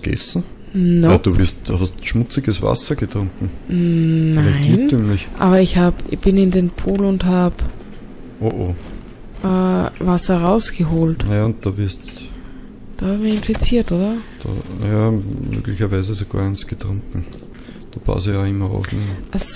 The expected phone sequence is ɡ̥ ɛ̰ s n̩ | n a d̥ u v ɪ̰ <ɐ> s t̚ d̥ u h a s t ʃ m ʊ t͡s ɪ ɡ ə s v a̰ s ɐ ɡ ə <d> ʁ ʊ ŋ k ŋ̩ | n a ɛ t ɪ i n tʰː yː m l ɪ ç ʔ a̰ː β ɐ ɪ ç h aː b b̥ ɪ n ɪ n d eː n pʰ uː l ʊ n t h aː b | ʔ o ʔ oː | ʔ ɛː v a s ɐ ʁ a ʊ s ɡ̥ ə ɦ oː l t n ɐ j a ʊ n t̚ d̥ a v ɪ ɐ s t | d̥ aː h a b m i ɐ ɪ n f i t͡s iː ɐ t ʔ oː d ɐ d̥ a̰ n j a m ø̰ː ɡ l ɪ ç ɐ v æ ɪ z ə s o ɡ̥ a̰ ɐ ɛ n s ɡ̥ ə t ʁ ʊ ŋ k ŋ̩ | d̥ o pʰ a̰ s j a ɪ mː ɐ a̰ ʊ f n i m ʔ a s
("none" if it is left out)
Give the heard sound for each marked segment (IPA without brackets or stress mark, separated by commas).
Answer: ɐ, t